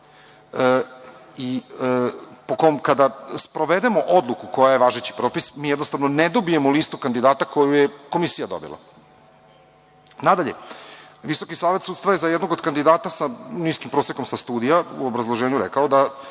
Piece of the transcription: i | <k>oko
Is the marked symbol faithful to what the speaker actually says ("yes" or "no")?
no